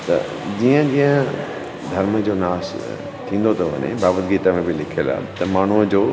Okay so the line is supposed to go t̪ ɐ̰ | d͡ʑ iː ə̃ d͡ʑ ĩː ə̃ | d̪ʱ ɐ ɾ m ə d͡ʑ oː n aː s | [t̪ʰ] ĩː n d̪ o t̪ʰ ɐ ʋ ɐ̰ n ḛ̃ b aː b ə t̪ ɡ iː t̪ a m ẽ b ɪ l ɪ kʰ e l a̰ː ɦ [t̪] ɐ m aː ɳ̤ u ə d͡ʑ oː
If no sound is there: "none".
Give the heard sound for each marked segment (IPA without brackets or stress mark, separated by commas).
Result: t̪ʰ, t̪